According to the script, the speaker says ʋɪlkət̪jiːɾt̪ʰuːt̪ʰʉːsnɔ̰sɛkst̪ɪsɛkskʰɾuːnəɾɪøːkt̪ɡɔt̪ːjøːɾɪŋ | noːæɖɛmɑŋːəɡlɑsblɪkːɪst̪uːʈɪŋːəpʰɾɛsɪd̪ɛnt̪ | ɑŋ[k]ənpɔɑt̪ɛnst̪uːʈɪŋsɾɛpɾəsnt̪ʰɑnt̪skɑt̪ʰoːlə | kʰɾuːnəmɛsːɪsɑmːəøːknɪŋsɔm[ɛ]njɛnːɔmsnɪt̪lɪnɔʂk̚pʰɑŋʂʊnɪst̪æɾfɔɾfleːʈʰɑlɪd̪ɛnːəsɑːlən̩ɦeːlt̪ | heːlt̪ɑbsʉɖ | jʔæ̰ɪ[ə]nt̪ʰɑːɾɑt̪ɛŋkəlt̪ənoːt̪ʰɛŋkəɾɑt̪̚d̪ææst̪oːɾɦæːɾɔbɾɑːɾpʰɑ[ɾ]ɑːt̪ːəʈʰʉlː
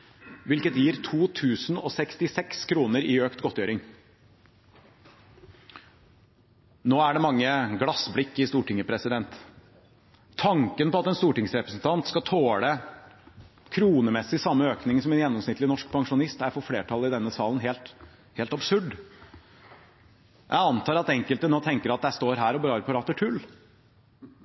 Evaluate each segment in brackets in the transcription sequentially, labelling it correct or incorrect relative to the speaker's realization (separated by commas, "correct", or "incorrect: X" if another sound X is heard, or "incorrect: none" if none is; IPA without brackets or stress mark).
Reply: correct, correct, incorrect: ɑ, correct